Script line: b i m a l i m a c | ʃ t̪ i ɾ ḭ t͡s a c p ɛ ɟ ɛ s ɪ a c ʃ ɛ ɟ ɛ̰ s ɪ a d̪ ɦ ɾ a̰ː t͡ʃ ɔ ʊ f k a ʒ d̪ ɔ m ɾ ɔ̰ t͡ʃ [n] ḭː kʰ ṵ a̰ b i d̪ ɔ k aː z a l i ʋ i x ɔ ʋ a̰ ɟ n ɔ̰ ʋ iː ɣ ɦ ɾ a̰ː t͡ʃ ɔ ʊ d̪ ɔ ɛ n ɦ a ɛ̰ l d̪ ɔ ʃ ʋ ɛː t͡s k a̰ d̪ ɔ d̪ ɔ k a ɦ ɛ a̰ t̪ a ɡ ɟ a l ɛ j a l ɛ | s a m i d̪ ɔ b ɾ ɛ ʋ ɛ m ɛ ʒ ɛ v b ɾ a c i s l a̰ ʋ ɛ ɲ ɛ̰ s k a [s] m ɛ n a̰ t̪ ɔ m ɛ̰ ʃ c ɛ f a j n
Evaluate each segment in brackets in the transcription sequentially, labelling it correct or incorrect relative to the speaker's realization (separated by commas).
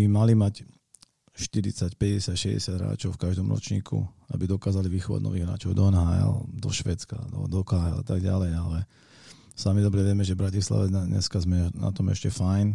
incorrect, incorrect